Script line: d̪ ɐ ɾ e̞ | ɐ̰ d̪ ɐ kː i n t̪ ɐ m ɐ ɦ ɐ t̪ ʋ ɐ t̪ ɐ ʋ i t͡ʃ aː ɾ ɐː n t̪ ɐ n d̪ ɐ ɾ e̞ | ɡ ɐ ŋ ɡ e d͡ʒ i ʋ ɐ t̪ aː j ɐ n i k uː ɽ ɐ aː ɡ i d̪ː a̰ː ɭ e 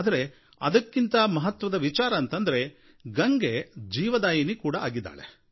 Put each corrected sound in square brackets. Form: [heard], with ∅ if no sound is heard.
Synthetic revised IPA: d̪ ɐ ɾ e̞ | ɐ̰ d̪ ɐ kː i n t̪ ɐ m ɐ ɦ ɐ t̪ ʋ ɐ [d̪] ɐ ʋ i t͡ʃ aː ɾ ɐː n t̪ ɐ n d̪ ɐ ɾ e̞ | ɡ ɐ ŋ ɡ e d͡ʒ [iː] ʋ ɐ [d̪] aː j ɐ n i k uː ɽ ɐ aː ɡ i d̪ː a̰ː ɭ e